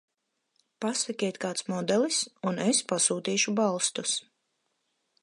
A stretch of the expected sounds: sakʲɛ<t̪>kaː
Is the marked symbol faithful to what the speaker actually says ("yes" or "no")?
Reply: yes